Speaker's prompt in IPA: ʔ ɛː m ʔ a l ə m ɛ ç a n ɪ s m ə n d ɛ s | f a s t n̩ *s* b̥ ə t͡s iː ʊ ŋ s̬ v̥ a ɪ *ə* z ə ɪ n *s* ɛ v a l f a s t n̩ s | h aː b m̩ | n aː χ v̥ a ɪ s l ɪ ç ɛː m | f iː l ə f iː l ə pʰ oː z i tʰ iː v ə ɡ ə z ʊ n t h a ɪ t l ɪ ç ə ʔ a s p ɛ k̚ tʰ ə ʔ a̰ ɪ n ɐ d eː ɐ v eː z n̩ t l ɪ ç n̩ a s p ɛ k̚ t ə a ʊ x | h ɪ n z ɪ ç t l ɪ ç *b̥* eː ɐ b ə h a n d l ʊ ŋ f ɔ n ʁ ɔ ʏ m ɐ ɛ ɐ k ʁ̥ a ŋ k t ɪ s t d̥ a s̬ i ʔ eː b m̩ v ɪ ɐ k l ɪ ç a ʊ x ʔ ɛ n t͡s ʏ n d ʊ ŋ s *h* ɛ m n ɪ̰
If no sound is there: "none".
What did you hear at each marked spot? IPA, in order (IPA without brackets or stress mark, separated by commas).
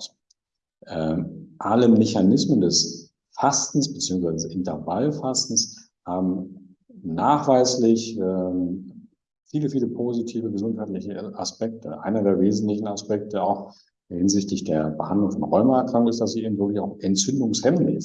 s, ə, t, d̥, h